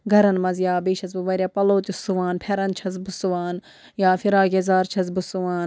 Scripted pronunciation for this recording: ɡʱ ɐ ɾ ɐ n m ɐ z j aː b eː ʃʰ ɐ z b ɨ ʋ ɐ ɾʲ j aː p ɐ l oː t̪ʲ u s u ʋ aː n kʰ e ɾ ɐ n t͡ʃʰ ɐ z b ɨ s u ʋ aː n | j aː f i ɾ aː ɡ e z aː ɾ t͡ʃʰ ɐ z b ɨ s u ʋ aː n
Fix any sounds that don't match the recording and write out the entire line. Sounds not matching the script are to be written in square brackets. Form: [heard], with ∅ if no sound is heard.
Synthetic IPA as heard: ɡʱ ɐ ɾ ɐ n m ɐ z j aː b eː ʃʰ ɐ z b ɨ ʋ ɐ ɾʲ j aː p ɐ l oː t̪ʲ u s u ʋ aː n [pʰ] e ɾ ɐ n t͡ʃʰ ɐ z b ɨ s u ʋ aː n | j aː f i ɾ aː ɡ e z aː ɾ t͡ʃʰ ɐ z b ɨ s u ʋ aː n